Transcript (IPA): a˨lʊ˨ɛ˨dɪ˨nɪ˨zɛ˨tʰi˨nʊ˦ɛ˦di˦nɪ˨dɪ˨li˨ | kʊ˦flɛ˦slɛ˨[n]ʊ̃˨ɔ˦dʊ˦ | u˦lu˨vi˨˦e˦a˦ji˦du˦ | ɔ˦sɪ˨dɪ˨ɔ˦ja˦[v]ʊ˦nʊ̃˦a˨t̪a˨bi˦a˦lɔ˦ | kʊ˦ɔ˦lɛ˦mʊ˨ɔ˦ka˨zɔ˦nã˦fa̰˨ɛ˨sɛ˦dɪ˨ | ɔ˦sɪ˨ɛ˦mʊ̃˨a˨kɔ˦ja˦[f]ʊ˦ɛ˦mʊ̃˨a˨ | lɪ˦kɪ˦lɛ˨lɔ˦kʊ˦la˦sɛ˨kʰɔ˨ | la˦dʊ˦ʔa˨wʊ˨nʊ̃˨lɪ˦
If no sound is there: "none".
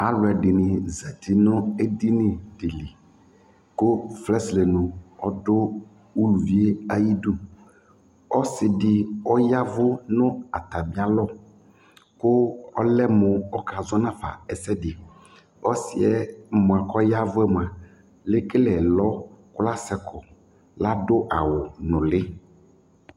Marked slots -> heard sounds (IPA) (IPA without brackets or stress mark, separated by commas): n, v, v